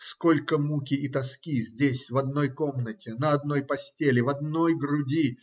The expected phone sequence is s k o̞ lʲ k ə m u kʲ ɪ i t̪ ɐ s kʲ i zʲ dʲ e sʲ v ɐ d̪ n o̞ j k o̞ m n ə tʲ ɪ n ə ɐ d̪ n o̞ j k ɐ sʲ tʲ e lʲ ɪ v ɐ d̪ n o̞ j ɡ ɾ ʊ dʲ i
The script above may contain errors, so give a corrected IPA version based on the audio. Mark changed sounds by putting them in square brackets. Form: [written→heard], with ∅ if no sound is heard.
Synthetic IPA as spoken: s k o̞ lʲ k ə m u kʲ ɪ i t̪ ɐ s kʲ i zʲ dʲ e sʲ v ɐ d̪ n o̞ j k o̞ m n ə tʲ ɪ n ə ɐ d̪ n o̞ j [k→p] ɐ sʲ tʲ e lʲ ɪ v ɐ d̪ n o̞ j ɡ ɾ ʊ dʲ i